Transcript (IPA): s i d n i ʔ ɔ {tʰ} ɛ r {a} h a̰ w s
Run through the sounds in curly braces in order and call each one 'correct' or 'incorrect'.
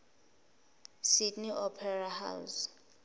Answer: incorrect, correct

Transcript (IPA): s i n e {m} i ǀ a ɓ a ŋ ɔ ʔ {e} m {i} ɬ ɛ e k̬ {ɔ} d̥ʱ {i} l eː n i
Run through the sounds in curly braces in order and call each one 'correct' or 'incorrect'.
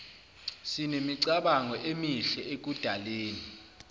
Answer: correct, correct, correct, incorrect, incorrect

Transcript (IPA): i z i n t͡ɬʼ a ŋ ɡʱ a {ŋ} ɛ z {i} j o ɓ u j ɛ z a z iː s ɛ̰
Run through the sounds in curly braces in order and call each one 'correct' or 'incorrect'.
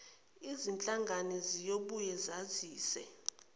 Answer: incorrect, correct

